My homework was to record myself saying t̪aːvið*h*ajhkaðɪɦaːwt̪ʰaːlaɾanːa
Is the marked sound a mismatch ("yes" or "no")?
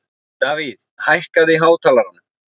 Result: no